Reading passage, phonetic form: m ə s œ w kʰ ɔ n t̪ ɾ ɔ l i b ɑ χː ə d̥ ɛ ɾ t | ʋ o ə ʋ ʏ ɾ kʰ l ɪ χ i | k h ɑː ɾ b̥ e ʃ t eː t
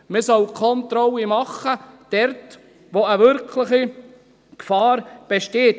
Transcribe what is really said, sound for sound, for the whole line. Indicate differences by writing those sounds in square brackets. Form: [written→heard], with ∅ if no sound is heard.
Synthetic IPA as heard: m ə s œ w kʰ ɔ n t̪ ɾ ɔ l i [b→m] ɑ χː ə d̥ ɛ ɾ t | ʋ o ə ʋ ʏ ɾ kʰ l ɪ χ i | k [h→f] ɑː ɾ b̥ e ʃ t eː t

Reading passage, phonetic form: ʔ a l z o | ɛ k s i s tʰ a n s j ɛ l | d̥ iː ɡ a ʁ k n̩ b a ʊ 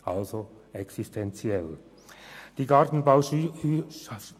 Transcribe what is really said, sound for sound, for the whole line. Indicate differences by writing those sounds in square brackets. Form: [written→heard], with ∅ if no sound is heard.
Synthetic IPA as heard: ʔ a l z o | ɛ k s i s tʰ [a→ɛ] n [s→t͡s] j ɛ l | d̥ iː ɡ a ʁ [k→t] n̩ b a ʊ

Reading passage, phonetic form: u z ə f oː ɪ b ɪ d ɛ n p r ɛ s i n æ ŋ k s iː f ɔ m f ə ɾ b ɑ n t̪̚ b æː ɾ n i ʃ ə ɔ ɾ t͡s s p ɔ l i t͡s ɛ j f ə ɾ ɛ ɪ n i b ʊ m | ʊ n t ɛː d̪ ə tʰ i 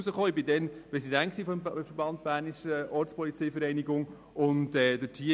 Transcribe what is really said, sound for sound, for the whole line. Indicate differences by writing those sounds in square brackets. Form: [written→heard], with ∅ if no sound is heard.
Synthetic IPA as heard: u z ə [f→χ] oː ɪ b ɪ d ɛ n p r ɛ s i [n→d] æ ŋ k s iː f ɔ m f ə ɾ b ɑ n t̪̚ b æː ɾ n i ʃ ə ɔ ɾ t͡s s p ɔ l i t͡s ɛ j f ə ɾ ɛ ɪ n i [b→ɡ] ʊ [m→ŋ] | ʊ n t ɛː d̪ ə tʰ i

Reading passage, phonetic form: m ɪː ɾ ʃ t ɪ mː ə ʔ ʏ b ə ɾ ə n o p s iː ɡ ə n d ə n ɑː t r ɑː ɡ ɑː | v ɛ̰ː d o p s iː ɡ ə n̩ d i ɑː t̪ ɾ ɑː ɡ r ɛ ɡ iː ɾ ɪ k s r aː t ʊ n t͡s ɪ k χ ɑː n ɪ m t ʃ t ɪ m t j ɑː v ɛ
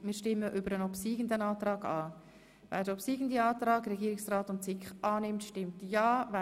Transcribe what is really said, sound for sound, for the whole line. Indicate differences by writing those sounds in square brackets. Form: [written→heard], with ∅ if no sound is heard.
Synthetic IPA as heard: m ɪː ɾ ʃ t ɪ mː ə ʔ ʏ b ə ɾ ə n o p s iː ɡ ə n d ə n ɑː t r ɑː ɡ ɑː | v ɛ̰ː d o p s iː ɡ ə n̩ d i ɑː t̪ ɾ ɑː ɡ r ɛ ɡ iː ɾ ɪ k s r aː t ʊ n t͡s ɪ k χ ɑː n ɪ m t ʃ t ɪ m t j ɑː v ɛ

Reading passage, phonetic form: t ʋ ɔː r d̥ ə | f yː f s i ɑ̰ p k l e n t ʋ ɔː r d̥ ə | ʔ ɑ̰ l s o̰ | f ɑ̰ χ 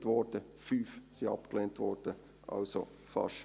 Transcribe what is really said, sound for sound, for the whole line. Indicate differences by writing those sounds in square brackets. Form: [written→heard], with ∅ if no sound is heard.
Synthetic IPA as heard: t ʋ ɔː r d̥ ə | f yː f s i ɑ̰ p k l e n t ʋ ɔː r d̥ ə | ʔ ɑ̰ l s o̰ | f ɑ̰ [χ→ʃ]

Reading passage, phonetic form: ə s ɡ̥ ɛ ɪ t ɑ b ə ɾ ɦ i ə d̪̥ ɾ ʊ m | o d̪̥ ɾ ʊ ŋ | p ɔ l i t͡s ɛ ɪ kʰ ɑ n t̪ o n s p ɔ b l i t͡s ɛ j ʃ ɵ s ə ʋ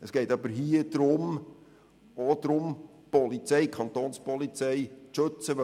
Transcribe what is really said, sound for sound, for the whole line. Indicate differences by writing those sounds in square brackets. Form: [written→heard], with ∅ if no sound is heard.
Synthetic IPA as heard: ə s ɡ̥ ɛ ɪ t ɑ b ə ɾ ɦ i ə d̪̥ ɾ ʊ m | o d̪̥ ɾ ʊ [ŋ→m] | p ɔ l i t͡s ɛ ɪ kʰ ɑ n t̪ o n s p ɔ [b→∅] l i t͡s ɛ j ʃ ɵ [s→t͡s] ə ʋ

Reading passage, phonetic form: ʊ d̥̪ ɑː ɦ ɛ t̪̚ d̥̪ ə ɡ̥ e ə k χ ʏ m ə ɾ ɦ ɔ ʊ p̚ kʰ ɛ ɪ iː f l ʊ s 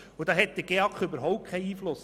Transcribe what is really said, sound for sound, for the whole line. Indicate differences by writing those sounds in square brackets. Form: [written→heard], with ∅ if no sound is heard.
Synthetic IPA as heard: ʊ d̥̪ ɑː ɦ ɛ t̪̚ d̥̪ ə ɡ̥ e [ə→ɑ] k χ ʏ [m→b] ə ɾ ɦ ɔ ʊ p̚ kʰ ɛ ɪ iː f l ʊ s

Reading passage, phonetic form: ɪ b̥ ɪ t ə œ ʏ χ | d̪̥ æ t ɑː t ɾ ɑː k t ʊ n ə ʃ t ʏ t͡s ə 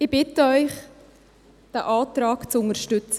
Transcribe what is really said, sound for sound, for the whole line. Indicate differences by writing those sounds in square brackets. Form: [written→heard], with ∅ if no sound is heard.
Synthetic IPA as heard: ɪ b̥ ɪ t ə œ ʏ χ | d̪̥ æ [t→ʔ] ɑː t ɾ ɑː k [t→t͡s] ʊ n ə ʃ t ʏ t͡s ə

